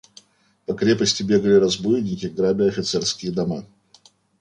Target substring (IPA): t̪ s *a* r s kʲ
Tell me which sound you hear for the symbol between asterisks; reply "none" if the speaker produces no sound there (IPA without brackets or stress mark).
ɛ